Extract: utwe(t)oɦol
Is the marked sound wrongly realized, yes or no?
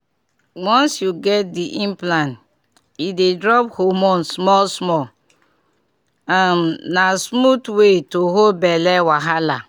no